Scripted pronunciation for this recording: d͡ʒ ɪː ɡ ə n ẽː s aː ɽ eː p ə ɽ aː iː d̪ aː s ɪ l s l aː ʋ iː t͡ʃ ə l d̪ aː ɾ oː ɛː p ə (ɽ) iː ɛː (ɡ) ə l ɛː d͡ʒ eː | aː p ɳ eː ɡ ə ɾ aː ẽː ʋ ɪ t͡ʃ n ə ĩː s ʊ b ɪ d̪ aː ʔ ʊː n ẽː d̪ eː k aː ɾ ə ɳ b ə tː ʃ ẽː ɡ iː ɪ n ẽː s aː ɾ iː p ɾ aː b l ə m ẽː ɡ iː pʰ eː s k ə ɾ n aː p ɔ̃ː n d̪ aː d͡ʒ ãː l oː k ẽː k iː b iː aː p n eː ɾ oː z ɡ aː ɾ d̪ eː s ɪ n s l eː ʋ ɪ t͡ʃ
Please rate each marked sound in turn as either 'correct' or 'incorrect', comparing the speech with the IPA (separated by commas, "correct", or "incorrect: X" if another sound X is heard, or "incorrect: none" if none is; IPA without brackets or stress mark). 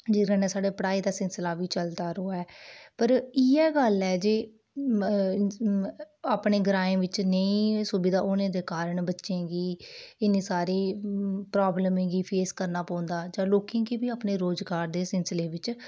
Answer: incorrect: ɾ, correct